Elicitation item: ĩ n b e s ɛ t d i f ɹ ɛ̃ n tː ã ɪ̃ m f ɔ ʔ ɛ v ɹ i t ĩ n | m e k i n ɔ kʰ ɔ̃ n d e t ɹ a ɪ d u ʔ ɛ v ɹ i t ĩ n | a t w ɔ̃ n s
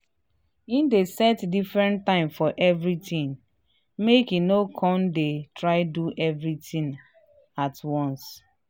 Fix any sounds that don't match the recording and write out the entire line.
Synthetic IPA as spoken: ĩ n d e s ɛ t d i f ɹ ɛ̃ n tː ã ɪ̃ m f ɔ ʔ ɛ v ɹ i t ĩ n | m e k i n o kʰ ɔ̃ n d e t ɹ a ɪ d u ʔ ɛ v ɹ i t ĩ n | a t w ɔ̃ n s

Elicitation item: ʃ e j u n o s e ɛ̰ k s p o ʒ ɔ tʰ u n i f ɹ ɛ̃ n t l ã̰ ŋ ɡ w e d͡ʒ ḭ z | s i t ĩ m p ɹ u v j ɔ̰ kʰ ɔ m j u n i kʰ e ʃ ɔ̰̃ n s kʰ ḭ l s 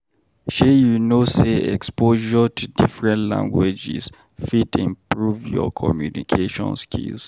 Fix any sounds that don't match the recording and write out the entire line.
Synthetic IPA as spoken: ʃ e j u n o s e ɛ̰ k s p o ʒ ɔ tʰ u d i f ɹ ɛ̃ n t l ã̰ ŋ ɡ w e d͡ʒ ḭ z | f i t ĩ m p ɹ u v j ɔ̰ kʰ ɔ m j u n i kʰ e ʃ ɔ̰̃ n s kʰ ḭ l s

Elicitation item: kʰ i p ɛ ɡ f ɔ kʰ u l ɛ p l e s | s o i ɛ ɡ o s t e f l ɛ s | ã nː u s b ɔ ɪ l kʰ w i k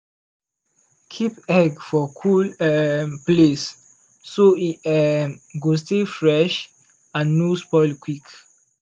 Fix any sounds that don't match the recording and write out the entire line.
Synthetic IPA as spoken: kʰ i p ɛ ɡ f ɔ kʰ u l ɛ p l e s | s o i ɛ ɡ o s t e f ɹ ɛ ʃ | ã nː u s p ɔ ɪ l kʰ w i k

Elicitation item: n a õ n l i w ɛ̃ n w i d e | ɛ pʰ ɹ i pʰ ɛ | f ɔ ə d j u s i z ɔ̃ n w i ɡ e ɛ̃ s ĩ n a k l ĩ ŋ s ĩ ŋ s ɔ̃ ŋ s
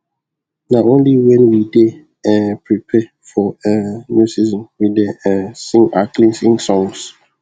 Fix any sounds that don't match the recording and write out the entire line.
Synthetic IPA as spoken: n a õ n l i w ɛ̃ n w i d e | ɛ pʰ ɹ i pʰ ɛ | f ɔ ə n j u s i z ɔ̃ n w i d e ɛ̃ s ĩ ŋ a k l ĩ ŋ s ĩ ŋ s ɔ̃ ŋ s

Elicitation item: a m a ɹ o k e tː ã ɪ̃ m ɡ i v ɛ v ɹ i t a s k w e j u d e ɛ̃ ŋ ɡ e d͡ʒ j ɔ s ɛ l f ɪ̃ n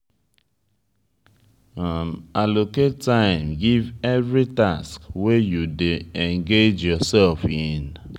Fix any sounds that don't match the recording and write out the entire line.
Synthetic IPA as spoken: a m a l o k e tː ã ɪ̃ m ɡ i v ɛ v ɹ i t a s k w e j u d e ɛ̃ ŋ ɡ e d͡ʒ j ɔ s ɛ l f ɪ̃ n

